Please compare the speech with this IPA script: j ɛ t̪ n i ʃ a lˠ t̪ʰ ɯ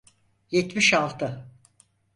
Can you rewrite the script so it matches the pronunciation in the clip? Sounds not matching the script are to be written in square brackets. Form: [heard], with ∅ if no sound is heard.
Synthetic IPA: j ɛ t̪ [m] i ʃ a lˠ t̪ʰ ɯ

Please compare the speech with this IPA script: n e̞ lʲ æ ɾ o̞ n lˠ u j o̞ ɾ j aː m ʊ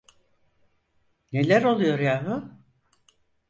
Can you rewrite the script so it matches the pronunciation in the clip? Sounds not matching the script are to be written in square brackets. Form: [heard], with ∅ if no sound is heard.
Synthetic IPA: n e̞ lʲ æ ɾ o̞ [∅] lˠ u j o̞ ɾ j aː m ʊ

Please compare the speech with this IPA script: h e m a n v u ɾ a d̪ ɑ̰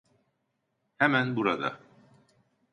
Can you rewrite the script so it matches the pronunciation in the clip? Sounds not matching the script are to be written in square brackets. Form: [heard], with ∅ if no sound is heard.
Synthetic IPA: h [æ] m [æ] n [b] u ɾ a d̪ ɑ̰

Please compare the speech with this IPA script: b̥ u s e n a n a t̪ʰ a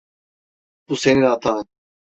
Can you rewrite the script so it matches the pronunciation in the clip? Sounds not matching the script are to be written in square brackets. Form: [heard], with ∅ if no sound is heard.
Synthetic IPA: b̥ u s e n [i] n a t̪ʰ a

